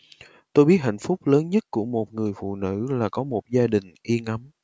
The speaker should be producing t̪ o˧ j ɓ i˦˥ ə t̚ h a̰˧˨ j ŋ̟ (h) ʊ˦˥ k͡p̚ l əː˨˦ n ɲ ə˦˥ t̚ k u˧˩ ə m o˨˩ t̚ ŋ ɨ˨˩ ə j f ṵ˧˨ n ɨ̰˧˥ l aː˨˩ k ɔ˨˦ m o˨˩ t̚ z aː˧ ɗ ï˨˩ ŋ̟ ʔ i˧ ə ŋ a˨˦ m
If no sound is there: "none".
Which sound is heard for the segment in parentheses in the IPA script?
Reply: f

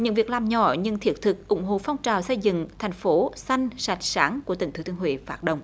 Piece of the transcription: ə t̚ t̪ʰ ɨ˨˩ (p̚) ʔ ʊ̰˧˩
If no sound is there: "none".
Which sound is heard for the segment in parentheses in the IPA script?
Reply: k̚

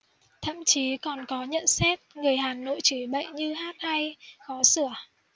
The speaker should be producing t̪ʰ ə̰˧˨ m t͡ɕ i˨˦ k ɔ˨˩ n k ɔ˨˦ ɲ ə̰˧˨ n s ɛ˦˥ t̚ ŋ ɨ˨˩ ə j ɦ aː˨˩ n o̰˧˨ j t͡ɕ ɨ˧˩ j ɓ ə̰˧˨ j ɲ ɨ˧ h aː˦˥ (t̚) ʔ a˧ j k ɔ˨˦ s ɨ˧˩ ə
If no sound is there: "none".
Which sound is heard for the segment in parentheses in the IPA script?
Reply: t̚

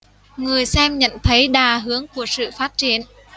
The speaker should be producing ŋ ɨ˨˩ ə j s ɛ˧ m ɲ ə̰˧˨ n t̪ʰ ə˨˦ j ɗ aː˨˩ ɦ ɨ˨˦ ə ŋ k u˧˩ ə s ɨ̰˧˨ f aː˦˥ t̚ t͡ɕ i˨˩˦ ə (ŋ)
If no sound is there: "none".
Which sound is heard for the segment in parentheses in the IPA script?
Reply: n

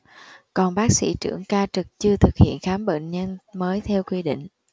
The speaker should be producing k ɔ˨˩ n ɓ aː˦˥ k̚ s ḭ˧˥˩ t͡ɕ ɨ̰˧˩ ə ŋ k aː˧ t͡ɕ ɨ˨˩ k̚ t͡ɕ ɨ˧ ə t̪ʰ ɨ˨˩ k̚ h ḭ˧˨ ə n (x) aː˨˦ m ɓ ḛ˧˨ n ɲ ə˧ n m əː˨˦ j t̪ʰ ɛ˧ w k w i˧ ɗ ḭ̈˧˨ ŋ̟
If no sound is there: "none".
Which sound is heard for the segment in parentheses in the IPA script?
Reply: x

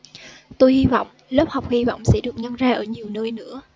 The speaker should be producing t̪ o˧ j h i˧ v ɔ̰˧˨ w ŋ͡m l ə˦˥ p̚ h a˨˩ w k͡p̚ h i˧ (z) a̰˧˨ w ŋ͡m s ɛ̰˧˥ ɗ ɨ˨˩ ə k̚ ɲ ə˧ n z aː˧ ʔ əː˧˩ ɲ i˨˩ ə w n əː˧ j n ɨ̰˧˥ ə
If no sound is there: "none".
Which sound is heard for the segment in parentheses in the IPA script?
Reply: v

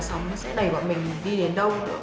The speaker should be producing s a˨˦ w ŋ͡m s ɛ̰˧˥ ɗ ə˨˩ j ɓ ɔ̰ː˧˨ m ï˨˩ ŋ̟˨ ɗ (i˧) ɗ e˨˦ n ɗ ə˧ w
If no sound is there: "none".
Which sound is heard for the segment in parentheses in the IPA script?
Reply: i˧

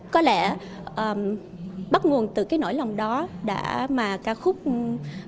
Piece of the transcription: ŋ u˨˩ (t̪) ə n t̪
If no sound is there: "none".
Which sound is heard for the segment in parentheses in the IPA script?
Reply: none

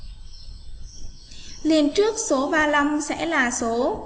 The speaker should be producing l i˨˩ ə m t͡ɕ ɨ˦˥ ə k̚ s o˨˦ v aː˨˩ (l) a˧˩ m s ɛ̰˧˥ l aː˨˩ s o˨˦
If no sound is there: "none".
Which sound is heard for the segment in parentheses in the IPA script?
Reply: l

